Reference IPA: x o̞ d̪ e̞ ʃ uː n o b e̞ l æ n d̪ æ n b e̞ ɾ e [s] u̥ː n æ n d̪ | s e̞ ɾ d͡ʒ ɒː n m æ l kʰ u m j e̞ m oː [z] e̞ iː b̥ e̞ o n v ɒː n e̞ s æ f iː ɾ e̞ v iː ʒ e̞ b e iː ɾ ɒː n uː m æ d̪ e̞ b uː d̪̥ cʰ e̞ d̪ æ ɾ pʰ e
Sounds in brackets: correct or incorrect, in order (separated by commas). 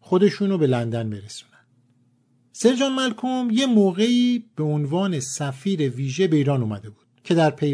correct, incorrect